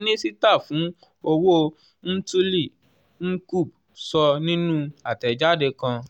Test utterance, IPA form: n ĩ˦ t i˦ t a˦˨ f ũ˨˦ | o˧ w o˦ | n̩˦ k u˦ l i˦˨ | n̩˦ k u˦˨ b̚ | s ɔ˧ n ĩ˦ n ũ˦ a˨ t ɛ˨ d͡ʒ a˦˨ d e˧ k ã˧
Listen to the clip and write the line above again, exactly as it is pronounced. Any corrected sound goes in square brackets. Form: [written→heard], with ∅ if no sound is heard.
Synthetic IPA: n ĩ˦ [t→s] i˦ t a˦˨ f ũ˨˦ | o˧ w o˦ | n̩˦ [k→t] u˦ l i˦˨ | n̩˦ k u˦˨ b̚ | s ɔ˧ n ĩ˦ n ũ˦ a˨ t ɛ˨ d͡ʒ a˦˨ d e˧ k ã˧